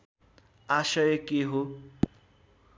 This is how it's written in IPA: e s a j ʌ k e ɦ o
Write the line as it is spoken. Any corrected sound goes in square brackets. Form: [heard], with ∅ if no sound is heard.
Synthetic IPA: [a] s [ʌ] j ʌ k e ɦ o